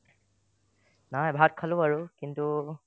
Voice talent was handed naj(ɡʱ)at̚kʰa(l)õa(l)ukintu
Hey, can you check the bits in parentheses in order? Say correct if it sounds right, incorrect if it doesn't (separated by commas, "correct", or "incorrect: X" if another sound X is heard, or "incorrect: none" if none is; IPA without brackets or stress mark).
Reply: incorrect: bʱ, correct, incorrect: ɹ